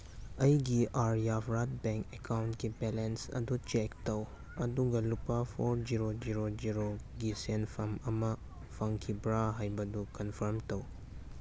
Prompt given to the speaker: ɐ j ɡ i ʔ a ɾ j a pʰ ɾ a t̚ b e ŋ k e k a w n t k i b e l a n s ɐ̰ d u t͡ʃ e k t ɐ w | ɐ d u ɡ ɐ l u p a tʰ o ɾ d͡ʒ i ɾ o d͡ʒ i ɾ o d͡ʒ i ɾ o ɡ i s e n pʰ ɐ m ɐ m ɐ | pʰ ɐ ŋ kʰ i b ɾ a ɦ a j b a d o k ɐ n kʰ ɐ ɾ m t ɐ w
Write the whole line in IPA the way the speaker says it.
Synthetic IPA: ɐ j ɡ i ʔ a ɾ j a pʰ ɾ a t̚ b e ŋ k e k a w n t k i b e l e n s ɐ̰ d u t͡ʃ e k t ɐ w | ɐ d u ɡ ɐ l u p a pʰ o ɾ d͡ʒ i ɾ o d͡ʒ i ɾ o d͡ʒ i ɾ o ɡ i s e n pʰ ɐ m ɐ m ɐ | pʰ ɐ ŋ kʰ i b ɾ a ɦ a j b ɐ d u k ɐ n pʰ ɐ ɾ m t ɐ w